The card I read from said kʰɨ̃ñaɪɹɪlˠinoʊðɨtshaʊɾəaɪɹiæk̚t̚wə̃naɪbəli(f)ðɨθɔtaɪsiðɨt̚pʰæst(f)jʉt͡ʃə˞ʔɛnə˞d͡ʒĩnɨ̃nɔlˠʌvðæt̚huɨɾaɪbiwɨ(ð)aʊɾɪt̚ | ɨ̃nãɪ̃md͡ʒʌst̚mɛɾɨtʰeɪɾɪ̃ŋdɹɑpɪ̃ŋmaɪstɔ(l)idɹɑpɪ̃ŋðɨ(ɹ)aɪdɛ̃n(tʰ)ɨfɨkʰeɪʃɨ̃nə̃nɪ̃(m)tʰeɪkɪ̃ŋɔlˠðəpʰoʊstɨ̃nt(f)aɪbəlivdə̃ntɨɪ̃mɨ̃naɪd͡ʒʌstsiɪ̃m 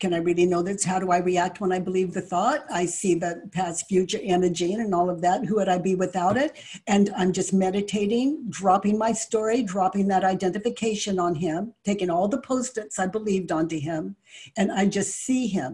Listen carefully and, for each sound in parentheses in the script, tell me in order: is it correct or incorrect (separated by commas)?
incorrect, correct, incorrect, incorrect, incorrect, incorrect, correct, incorrect